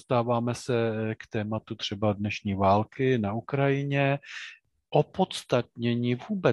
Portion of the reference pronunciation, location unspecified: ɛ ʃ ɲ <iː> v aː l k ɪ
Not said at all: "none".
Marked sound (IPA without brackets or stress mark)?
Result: iː